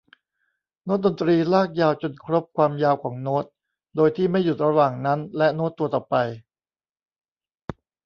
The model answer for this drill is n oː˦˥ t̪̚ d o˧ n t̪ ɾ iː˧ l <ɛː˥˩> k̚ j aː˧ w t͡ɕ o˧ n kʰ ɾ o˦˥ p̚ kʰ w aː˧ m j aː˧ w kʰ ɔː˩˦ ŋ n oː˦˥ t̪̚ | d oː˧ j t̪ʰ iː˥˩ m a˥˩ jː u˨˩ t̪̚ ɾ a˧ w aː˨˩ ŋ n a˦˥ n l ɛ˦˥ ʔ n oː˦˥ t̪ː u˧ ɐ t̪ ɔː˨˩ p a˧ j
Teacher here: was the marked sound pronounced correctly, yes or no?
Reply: no